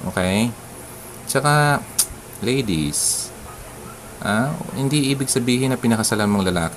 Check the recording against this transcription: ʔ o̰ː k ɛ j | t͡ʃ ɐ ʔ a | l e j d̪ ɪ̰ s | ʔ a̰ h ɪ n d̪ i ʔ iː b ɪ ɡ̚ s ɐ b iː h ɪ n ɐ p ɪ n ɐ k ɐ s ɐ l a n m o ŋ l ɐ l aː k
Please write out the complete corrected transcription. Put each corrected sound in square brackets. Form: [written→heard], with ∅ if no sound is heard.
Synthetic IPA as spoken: ʔ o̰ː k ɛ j | t͡ʃ ɐ [ʔ→k] a | l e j d̪ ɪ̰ s | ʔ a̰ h ɪ n d̪ i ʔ iː b ɪ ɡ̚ s ɐ b iː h ɪ n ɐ p ɪ n ɐ k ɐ s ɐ l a n m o ŋ l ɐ l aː k